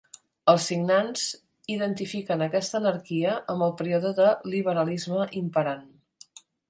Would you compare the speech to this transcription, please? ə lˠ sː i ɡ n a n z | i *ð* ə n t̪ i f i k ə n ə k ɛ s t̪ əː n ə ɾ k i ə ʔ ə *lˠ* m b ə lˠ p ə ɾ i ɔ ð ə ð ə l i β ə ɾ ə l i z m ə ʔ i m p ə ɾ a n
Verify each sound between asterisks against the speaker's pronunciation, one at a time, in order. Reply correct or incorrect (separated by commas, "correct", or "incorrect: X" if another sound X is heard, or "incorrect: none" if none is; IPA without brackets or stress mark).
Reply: correct, incorrect: none